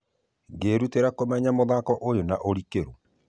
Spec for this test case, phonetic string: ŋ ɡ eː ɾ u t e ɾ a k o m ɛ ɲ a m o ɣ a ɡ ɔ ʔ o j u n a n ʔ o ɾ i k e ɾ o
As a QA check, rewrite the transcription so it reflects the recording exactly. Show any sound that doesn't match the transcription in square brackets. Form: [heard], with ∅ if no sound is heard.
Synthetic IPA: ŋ ɡ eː ɾ u t e ɾ a k o m ɛ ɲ a m o [ð] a [k] ɔ ʔ o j [o] n a [∅] ʔ o ɾ i k e ɾ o